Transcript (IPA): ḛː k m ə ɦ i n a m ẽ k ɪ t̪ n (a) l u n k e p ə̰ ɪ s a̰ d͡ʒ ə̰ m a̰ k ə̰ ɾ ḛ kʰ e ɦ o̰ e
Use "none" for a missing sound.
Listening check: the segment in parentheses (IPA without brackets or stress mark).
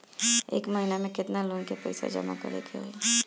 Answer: a